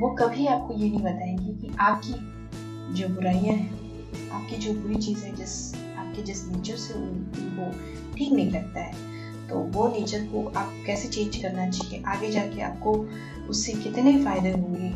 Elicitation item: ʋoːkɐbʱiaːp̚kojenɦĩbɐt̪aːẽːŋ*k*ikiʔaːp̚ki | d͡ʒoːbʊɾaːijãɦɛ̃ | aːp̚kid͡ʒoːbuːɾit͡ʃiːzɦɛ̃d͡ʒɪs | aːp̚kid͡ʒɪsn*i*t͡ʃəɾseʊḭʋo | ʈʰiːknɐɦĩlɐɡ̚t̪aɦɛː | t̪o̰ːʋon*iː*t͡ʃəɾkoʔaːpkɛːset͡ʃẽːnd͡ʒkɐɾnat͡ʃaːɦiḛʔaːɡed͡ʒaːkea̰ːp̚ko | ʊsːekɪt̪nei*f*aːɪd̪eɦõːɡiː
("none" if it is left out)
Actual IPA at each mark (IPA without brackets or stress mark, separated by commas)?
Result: ɡ, iː, iː, f